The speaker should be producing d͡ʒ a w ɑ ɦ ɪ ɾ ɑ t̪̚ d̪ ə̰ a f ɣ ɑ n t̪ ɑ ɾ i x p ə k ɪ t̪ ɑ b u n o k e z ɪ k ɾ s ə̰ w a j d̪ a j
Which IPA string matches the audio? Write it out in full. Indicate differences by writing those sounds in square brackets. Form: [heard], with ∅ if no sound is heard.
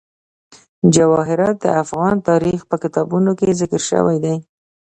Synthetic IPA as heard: d͡ʒ a w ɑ ɦ ɪ ɾ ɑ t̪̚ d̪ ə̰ a f ɣ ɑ n t̪ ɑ ɾ i x p ə k ɪ t̪ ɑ b u n o k e z ɪ k ɾ [ʃ] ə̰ w a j d̪ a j